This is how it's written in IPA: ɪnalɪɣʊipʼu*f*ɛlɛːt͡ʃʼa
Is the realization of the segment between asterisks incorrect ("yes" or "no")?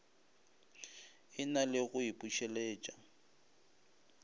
yes